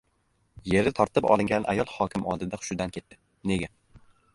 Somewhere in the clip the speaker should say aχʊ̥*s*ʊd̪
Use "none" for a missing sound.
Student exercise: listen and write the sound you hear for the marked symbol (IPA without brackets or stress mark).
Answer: ʃ